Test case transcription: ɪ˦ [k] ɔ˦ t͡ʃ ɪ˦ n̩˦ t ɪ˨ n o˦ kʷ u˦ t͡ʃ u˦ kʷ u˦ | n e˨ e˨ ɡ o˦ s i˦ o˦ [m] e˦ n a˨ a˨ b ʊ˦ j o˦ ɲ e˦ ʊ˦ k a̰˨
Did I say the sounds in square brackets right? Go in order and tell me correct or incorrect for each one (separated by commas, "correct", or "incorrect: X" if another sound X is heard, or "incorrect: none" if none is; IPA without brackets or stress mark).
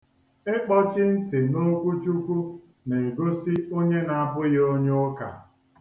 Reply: incorrect: k͡p, incorrect: ɲ